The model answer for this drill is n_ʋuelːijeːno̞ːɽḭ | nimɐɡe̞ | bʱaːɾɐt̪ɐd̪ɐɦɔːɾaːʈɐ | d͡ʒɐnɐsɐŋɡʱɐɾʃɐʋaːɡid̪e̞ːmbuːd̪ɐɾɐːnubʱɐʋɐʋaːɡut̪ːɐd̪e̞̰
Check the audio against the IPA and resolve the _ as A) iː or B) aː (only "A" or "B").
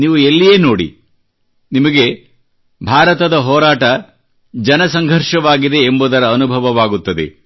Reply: A